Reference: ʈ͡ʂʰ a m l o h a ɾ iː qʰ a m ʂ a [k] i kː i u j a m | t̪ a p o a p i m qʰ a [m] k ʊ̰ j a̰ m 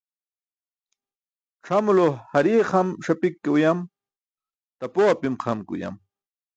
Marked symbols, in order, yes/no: no, yes

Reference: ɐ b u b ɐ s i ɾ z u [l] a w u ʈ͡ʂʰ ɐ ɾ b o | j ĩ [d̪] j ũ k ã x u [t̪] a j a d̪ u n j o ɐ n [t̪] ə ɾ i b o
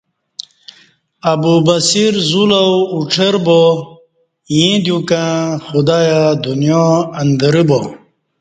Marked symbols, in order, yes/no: yes, yes, no, no

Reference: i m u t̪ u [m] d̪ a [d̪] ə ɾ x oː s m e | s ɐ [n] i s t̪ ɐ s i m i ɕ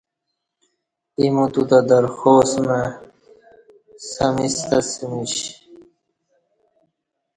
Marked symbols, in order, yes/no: no, yes, no

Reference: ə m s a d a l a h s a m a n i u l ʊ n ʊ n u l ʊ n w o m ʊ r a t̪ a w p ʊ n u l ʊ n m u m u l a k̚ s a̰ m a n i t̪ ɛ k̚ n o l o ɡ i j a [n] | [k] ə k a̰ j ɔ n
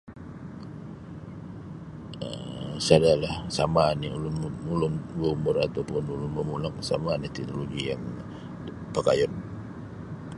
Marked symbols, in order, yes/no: no, no

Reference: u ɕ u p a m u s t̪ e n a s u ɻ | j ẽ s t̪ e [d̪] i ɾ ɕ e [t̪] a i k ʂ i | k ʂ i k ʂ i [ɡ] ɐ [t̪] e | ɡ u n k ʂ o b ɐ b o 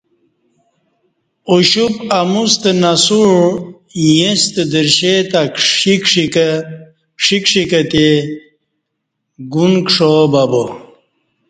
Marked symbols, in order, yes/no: yes, yes, no, yes

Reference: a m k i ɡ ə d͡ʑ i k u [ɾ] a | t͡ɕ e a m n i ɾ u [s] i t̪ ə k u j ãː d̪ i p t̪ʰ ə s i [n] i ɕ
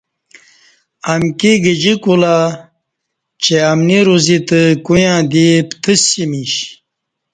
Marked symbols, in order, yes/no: no, no, no

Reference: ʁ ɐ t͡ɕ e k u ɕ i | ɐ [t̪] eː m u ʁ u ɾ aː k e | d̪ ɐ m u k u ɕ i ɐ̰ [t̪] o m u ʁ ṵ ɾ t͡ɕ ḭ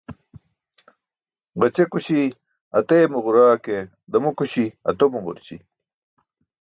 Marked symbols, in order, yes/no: yes, yes

